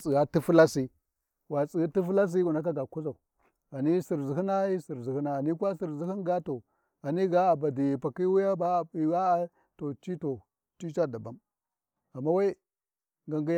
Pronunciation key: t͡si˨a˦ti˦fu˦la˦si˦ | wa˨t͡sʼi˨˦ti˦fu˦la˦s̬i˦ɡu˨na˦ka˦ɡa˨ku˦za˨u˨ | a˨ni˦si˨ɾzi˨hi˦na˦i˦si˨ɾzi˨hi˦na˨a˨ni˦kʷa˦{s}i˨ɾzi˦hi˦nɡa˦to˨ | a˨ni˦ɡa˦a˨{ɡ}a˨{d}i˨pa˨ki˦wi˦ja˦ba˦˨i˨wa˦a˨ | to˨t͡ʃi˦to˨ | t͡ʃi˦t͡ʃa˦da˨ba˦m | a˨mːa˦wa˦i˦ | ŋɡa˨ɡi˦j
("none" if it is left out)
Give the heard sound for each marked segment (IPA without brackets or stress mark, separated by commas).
s, b, d